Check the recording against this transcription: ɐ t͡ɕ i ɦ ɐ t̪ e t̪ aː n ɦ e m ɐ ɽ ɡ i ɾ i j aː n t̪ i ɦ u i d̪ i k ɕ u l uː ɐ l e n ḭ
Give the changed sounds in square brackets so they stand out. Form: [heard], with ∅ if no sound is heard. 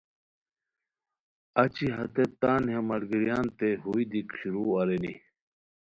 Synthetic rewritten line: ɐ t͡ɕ i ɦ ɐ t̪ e t̪ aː n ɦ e m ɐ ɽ ɡ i ɾ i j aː n t̪ [e] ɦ u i d̪ i k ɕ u [ɾ] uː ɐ [ɾ] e n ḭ